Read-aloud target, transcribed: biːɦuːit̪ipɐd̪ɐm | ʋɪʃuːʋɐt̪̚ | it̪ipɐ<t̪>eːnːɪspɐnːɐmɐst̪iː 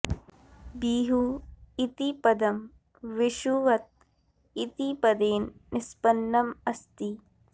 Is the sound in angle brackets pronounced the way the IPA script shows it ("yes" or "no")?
no